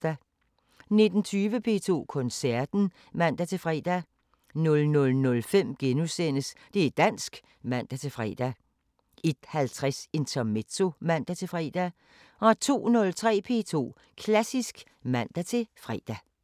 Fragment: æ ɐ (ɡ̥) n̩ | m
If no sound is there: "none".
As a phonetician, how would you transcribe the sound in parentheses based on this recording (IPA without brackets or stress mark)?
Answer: d̥